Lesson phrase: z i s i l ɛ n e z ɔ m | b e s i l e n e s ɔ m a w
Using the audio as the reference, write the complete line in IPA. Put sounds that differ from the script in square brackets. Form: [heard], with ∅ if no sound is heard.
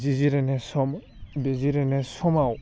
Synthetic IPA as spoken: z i [z] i [ɾ] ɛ n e [s] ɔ m | b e [z] i [ɾ] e n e s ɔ m a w